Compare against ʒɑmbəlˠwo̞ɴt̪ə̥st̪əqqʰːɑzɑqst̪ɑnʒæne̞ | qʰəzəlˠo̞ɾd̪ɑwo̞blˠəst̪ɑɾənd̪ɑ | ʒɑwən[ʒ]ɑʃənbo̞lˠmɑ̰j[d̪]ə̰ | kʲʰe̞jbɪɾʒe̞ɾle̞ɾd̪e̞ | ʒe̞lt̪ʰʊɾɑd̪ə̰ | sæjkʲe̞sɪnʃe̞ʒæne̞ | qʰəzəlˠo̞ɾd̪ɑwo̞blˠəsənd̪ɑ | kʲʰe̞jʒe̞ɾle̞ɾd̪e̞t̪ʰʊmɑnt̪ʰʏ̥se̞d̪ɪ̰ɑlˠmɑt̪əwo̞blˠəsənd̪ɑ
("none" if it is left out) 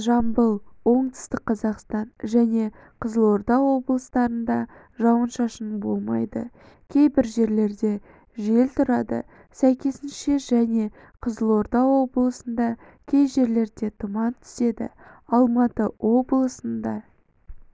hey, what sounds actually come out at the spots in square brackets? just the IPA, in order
ʃ, d̪

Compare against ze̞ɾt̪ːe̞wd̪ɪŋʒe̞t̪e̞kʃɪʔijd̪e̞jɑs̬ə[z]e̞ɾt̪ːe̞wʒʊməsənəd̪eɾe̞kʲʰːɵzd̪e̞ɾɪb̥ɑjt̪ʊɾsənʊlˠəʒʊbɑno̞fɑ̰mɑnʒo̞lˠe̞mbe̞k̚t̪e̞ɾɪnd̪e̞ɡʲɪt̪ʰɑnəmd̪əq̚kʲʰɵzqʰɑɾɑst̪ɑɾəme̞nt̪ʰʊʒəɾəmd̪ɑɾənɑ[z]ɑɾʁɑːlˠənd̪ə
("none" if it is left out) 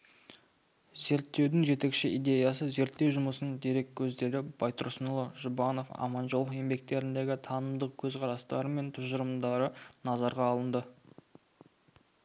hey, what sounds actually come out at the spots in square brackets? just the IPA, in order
z, z

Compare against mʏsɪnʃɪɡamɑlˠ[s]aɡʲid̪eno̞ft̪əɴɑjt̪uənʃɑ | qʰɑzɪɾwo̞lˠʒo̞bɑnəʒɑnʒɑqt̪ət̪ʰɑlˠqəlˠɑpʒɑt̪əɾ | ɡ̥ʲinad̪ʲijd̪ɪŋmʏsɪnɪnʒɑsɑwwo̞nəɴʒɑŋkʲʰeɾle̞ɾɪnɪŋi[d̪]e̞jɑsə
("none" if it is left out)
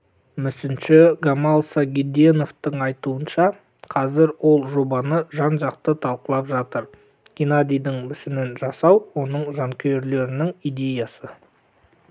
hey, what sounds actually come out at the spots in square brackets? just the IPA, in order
s, d̪

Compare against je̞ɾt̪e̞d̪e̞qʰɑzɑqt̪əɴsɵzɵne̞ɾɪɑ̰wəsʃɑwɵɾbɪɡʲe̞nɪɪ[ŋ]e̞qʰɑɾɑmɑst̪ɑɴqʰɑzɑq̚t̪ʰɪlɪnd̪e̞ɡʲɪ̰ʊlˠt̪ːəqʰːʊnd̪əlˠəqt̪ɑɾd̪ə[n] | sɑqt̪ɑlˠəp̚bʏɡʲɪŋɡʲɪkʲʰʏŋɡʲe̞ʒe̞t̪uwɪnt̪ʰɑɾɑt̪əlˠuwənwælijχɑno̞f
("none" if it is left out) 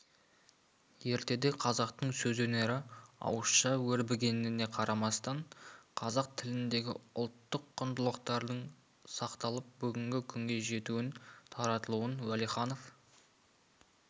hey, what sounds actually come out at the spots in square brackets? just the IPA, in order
n, ɴ

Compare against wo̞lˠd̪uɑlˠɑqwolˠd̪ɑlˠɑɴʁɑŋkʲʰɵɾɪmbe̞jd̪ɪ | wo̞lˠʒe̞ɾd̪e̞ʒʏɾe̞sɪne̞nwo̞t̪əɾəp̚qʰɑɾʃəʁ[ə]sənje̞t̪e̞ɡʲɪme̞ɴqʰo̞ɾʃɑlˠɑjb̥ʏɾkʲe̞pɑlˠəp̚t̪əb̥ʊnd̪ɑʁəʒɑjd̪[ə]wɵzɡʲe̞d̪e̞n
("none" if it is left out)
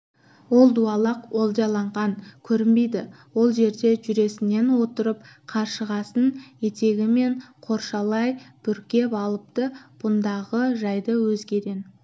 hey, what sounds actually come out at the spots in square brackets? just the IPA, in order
ɑ, ə

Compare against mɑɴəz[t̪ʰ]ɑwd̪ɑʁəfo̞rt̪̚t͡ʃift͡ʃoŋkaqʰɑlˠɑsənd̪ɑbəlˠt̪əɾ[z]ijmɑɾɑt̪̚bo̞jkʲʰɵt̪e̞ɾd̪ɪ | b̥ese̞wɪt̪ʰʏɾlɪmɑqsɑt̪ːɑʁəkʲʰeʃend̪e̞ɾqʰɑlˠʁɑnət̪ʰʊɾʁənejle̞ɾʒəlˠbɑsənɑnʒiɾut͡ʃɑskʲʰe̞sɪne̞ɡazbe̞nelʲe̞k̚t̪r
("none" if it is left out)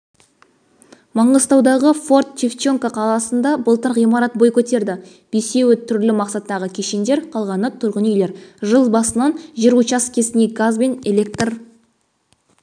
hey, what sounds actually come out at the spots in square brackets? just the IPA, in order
t̪, ʁ

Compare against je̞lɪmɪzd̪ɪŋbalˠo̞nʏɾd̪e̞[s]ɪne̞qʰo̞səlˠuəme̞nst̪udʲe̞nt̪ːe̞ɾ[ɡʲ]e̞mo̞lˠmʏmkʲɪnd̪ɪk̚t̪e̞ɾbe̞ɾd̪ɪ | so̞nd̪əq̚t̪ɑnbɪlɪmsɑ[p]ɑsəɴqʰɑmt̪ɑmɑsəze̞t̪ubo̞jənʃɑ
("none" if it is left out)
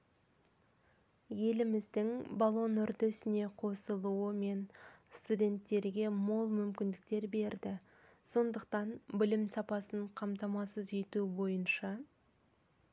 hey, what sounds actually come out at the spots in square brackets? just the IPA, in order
s, ɡʲ, p

